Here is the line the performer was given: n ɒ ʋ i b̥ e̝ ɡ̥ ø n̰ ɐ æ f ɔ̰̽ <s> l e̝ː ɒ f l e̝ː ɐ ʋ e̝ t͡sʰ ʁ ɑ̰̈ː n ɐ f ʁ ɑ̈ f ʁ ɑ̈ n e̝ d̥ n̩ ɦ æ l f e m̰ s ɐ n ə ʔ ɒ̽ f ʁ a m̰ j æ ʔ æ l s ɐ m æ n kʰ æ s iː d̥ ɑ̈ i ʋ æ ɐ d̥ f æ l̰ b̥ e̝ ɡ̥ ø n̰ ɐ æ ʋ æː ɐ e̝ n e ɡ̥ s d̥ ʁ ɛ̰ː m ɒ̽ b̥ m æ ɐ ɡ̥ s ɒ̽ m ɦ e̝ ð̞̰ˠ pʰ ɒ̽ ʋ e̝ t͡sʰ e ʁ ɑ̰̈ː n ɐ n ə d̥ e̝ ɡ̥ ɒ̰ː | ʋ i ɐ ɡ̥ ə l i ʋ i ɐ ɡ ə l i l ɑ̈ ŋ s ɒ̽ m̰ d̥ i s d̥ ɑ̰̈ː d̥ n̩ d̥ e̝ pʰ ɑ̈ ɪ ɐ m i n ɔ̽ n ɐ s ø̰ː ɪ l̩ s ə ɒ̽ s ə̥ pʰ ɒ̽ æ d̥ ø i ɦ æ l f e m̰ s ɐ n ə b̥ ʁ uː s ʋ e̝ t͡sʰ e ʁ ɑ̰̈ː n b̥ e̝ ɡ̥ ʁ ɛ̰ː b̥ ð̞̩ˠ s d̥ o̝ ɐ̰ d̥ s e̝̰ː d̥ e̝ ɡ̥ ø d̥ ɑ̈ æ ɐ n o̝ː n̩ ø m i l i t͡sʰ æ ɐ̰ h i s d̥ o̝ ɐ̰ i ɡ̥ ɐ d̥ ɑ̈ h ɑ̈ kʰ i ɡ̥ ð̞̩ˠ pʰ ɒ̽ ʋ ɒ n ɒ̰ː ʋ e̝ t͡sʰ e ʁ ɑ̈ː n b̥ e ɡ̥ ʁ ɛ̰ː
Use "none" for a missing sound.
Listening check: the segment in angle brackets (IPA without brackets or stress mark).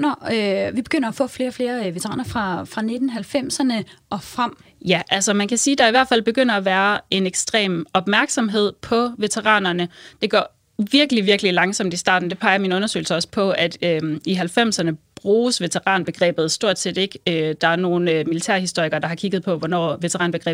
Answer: f